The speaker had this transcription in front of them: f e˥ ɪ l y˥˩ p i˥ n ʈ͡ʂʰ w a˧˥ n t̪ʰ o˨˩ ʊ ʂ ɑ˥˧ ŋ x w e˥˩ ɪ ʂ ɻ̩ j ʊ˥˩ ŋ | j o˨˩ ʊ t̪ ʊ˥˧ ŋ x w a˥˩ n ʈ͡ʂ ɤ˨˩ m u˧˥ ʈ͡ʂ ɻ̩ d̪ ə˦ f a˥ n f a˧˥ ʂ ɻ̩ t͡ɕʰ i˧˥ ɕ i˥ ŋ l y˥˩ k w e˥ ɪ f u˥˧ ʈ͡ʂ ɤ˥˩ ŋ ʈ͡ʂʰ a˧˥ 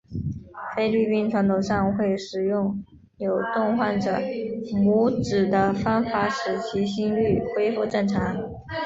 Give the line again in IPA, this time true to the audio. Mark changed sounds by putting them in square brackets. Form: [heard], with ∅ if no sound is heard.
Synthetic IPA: f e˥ ɪ l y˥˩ p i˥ n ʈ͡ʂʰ w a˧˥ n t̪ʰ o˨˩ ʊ ʂ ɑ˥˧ ŋ x w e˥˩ ɪ ʂ ɻ̩ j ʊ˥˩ ŋ | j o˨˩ ʊ t̪ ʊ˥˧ ŋ x w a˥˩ n ʈ͡ʂ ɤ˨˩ m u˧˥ ʈ͡ʂ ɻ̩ d̪ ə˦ f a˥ n f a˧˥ ʂ ɻ̩ t͡ɕʰ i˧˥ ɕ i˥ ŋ l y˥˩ [x] w e˥ ɪ f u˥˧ ʈ͡ʂ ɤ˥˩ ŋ ʈ͡ʂʰ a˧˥